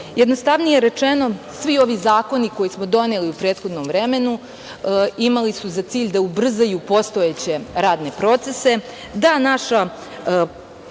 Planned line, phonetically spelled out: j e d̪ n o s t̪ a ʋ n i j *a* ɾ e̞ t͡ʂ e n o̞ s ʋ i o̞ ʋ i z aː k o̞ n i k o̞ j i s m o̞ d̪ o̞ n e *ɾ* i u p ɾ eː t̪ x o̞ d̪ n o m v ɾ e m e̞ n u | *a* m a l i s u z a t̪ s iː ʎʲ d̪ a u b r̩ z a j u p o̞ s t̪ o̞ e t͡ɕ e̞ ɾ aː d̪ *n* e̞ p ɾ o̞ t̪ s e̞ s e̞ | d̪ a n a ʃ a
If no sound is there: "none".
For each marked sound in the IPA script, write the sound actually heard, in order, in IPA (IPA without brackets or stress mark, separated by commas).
e, l, i, n